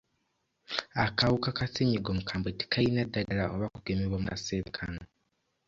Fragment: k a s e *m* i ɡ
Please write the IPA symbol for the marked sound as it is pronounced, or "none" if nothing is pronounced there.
ɲ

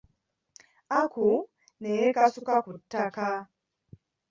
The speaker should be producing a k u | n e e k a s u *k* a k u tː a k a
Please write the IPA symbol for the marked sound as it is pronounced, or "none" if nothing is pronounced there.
k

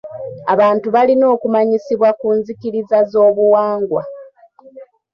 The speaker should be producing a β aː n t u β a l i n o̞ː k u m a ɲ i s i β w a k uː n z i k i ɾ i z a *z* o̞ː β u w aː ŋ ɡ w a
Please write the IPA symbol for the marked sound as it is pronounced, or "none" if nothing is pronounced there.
z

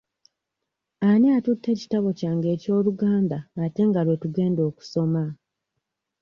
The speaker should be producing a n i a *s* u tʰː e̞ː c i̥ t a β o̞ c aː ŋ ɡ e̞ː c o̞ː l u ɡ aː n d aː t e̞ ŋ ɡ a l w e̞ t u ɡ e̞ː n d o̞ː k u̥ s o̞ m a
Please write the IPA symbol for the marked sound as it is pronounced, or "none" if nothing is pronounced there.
t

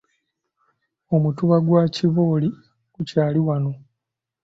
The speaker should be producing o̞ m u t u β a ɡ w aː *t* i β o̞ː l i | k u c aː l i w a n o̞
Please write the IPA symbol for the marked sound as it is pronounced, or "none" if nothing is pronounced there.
c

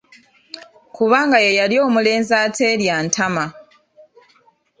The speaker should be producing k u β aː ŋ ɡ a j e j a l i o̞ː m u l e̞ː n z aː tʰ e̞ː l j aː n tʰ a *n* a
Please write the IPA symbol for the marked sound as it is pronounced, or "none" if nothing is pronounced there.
m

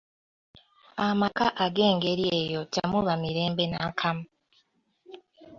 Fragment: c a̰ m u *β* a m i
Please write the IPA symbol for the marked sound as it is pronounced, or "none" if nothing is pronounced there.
β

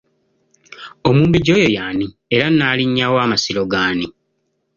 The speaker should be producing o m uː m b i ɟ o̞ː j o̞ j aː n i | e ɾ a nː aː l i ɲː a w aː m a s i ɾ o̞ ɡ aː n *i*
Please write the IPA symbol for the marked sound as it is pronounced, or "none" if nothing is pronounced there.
i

